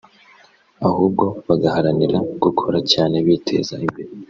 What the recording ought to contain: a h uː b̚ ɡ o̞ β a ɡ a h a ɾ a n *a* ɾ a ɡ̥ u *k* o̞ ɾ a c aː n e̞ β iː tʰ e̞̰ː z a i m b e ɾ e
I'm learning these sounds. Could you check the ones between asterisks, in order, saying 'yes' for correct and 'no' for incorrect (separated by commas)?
no, no